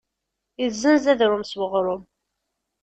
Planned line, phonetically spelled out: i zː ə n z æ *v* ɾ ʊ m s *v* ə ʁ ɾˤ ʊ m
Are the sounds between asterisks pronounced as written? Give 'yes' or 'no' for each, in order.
no, no

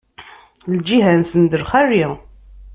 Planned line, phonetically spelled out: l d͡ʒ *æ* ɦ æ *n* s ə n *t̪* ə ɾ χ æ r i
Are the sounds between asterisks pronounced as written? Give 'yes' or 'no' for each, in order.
no, yes, no

